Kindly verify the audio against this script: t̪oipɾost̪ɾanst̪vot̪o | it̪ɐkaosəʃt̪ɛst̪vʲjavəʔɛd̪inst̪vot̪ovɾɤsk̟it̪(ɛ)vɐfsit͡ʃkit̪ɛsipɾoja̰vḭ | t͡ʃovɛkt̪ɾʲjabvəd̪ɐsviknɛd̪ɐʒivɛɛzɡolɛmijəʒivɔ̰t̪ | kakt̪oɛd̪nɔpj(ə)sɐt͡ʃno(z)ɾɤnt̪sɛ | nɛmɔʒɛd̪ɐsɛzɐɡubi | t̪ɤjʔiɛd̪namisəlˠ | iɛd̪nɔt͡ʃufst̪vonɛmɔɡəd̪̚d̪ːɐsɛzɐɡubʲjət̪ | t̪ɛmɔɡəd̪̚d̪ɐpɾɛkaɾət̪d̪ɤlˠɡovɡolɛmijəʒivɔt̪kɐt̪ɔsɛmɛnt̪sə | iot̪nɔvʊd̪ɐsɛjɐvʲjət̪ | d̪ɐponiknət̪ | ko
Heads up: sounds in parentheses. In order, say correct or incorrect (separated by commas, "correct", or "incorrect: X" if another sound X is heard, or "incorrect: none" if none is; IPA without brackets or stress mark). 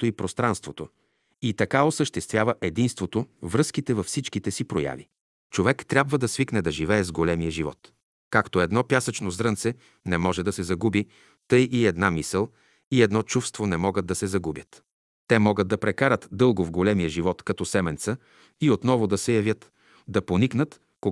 correct, incorrect: a, correct